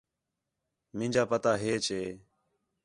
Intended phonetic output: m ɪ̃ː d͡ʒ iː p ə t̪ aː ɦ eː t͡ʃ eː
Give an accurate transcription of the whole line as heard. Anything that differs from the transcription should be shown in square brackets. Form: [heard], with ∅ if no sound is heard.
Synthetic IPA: m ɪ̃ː d͡ʒ [aː] p ə t̪ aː ɦ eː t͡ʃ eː